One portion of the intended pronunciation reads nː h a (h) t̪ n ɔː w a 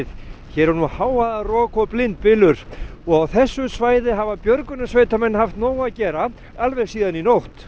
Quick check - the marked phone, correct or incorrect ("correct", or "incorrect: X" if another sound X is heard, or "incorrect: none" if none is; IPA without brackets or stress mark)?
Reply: incorrect: f